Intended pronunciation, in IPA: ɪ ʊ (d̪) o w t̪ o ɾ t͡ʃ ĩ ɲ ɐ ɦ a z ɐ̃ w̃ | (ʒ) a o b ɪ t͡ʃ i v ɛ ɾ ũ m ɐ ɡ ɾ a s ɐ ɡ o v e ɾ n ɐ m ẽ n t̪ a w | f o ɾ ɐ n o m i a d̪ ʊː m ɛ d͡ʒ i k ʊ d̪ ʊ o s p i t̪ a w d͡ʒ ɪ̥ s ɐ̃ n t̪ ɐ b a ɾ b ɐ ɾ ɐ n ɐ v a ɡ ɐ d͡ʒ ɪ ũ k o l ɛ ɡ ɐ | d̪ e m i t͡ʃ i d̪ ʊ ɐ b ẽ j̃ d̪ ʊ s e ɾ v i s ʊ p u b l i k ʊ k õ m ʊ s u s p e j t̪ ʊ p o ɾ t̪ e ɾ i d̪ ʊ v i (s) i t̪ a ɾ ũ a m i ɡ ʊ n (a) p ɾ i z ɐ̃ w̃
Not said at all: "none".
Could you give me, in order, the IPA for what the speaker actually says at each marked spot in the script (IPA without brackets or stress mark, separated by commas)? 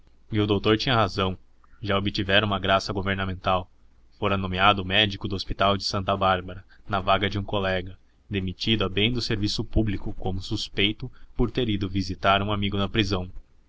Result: d̪, ʒ, z, ɐ